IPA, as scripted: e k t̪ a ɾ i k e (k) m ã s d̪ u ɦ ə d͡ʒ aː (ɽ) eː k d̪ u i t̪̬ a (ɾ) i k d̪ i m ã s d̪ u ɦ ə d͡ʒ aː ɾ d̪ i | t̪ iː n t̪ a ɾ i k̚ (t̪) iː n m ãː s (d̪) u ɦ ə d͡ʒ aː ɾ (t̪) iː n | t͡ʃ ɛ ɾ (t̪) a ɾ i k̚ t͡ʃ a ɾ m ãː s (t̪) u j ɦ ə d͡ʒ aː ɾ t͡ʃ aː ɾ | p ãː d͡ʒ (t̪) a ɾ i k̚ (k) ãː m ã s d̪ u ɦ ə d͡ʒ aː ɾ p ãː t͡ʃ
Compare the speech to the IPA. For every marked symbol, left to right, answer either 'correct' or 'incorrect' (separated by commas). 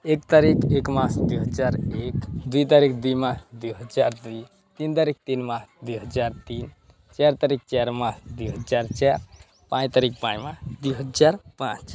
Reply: correct, incorrect, correct, correct, correct, correct, correct, incorrect, correct, incorrect